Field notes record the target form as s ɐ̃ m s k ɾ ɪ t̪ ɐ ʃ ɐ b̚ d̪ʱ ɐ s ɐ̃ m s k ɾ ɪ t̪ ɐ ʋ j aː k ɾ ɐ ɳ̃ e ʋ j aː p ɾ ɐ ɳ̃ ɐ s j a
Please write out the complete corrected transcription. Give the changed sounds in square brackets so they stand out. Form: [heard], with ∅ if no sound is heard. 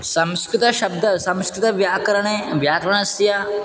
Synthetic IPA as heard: s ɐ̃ m s k ɾ ɪ t̪ ɐ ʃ ɐ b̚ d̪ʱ ɐ s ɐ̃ m s k ɾ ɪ t̪ ɐ ʋ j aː k ɾ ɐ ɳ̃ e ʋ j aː [k] ɾ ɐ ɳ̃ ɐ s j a